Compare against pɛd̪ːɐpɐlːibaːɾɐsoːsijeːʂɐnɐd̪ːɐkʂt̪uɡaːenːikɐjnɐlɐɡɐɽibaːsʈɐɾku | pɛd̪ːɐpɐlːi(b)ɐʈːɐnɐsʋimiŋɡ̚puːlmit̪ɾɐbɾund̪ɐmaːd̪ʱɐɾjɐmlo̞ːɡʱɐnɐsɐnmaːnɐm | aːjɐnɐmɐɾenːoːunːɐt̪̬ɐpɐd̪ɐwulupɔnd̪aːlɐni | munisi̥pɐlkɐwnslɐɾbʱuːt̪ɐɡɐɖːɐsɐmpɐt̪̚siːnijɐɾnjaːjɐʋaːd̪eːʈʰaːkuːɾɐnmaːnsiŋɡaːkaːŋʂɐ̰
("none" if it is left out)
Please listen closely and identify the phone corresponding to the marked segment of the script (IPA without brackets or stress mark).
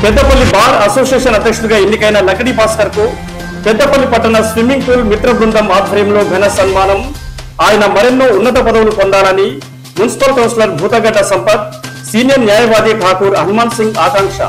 p